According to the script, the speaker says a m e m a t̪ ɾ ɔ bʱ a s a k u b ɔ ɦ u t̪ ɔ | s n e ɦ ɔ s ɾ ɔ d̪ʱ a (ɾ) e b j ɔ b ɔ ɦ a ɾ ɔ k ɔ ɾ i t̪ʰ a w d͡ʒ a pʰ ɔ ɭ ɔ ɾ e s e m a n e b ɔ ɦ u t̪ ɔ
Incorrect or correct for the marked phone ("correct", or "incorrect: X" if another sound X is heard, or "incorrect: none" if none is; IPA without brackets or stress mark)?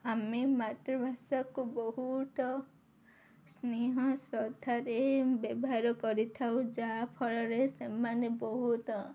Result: correct